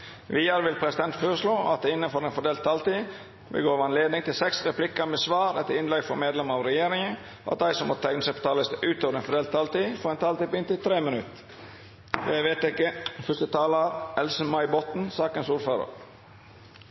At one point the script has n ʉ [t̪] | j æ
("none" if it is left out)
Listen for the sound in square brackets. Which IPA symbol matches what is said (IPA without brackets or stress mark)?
t̪